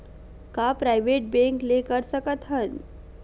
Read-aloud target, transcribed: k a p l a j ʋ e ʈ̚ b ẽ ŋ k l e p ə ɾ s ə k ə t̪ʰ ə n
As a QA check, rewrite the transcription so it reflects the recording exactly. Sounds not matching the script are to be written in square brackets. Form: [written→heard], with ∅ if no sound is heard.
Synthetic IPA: k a p [l→ɾ] a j ʋ e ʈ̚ b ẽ ŋ k l e [p→k] ə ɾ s ə k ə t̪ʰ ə n